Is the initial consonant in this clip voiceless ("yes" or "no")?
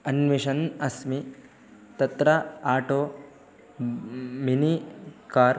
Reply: no